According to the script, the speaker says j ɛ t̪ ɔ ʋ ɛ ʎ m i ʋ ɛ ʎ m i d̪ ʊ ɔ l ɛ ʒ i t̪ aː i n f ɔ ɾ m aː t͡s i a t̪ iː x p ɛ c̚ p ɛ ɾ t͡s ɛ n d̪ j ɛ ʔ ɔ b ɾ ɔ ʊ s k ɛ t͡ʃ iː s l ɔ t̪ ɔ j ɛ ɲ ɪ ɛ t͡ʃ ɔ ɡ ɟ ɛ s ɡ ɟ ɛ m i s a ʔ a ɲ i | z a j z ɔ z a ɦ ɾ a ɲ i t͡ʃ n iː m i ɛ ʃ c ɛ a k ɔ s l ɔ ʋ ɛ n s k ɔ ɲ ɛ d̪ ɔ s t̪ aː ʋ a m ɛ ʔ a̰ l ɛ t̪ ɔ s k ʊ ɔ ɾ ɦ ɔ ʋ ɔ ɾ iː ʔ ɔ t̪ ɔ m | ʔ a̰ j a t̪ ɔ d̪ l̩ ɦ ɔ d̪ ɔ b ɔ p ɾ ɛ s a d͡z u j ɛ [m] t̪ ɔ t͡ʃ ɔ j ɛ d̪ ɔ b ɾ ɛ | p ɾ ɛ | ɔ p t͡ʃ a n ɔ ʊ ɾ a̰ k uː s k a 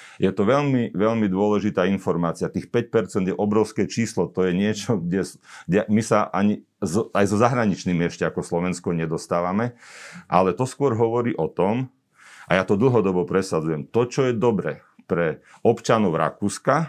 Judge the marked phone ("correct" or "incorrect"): correct